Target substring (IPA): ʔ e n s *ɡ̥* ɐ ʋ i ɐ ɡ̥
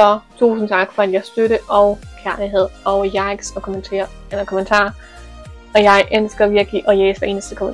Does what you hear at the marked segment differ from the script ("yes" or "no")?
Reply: no